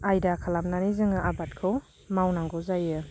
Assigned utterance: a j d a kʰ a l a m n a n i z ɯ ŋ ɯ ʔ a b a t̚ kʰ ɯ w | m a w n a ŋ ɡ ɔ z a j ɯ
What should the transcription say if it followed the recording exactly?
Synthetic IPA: a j d a kʰ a l a m n a n i z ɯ ŋ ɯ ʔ a b a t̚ kʰ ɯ w | m a w n a ŋ ɡ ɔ z a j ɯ